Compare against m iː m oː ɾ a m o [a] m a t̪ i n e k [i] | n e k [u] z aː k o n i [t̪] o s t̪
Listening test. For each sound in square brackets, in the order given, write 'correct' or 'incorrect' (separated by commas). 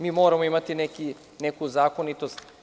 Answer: incorrect, correct, correct, correct